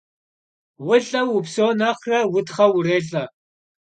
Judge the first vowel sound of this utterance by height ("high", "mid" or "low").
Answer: high